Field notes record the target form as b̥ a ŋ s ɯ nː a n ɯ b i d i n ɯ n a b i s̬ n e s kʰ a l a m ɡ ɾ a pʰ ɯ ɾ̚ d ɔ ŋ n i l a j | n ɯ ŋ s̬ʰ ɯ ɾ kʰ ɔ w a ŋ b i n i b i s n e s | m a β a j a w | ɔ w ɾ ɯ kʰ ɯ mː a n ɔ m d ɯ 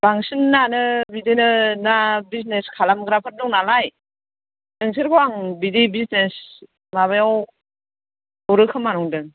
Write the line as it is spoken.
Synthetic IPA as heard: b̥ a ŋ s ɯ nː a n ɯ b i d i n ɯ n a b i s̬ n e s kʰ a l a m ɡ ɾ a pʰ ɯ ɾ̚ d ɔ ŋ n a l a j | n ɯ ŋ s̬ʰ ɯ ɾ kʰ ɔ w a ŋ b i d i b i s n e s | m a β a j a w | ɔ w ɾ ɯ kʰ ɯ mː a n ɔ ŋ d ɯ